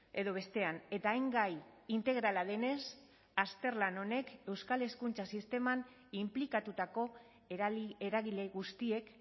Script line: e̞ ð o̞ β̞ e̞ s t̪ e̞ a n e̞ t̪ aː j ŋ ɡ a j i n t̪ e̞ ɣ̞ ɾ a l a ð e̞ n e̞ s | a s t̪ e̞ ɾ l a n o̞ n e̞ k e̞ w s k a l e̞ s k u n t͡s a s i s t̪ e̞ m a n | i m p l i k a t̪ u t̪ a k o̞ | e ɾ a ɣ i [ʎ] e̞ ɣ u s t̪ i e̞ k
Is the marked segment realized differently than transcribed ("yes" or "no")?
yes